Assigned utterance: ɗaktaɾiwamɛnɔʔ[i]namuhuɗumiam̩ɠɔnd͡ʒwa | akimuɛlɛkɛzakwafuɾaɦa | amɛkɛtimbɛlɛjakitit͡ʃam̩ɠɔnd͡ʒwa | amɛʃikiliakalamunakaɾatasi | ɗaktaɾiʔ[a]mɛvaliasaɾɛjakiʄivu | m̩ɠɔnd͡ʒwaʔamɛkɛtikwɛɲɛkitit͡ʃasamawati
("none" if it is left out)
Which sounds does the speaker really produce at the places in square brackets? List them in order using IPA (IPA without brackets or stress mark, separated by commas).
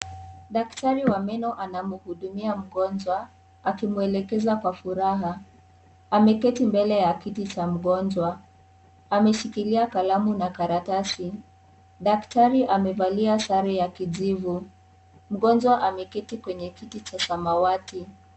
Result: a, a